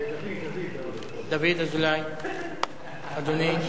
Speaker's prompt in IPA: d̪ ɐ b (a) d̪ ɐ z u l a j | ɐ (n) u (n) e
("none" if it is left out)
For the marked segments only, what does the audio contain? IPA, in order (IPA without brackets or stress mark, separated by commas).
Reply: e, d, n